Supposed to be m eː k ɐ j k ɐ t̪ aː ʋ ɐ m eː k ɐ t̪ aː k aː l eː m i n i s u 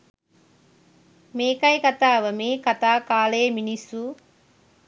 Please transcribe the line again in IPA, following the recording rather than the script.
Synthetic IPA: m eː k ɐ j k ɐ t̪ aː ʋ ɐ m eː k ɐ t̪ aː k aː l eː m i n i s u

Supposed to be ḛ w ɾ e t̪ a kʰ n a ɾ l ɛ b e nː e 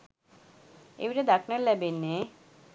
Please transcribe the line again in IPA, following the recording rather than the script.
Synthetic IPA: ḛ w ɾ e d̪ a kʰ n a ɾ l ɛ b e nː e

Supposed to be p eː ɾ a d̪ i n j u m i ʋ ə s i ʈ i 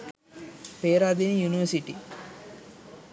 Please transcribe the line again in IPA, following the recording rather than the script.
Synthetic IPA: p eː ɾ a d̪ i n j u n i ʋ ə s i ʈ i

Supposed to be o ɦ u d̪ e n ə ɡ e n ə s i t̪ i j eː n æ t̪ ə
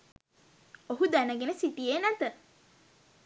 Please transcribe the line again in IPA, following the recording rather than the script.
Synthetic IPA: o ɦ u d̪ æ n ə ɡ e n ə s i t̪ i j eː n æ t̪ ə

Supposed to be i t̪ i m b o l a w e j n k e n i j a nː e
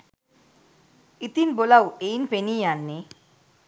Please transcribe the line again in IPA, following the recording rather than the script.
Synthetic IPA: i t̪ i n b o l a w e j n p e n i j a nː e

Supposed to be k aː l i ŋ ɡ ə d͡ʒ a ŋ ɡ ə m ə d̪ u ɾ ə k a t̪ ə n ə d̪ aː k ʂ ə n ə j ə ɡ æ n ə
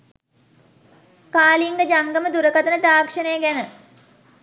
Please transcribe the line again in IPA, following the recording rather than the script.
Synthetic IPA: k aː l i ŋ ɡ ə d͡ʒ a ŋ ɡ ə m ə d̪ u ɾ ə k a t̪ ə n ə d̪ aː k ʂ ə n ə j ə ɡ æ n ə

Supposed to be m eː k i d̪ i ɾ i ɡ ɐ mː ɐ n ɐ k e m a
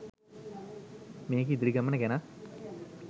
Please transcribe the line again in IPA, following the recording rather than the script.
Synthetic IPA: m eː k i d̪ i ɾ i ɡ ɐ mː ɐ n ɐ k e n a

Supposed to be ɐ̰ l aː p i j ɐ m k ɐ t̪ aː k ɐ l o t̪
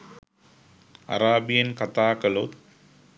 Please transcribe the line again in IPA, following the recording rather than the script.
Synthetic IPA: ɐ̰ ɾ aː b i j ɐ n k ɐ t̪ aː k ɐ l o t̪

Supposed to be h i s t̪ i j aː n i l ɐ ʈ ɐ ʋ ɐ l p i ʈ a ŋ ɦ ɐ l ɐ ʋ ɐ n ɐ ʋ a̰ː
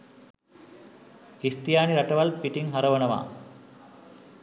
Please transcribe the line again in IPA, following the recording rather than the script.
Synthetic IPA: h i s t̪ i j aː n i ɾ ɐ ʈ ɐ ʋ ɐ l p i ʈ i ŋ ɦ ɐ ɾ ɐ ʋ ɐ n ɐ ʋ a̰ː

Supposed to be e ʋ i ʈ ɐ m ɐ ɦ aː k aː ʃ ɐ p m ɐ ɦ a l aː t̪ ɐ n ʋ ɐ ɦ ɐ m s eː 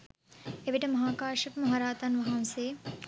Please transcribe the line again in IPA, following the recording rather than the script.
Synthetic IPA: e ʋ i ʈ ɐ m ɐ ɦ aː k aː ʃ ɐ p m ɐ ɦ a ɾ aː t̪ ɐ n ʋ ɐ ɦ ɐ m s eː

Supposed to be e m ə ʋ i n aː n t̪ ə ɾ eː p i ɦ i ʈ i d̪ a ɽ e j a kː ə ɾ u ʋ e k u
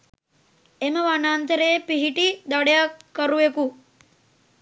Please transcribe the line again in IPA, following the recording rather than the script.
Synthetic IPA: e m ə ʋ a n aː n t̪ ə ɾ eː p i ɦ i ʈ i d̪ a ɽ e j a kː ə ɾ u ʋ e k u

